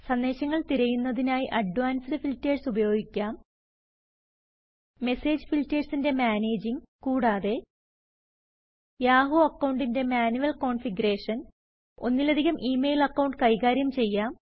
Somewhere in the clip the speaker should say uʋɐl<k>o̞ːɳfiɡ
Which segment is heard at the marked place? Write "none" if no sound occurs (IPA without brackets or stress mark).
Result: k